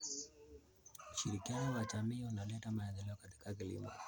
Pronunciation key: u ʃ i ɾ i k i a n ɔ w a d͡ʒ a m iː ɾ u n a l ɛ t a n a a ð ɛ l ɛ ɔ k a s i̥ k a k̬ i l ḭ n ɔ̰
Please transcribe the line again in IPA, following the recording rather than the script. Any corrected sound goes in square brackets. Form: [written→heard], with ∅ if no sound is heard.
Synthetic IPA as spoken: u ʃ i ɾ i k i a n ɔ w a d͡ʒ a m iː [ɾ→∅] u n a l ɛ t a [n→m] a [a→ɛ] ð ɛ l ɛ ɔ k a [s→t] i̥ k a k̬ i l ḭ [n→m] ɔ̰